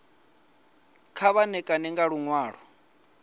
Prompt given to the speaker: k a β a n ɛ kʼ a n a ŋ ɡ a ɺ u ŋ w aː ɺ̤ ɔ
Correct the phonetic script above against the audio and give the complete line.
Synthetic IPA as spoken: kʰ a β a n ɛ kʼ a n ɛ ŋ ɡ a ɺ u ŋ w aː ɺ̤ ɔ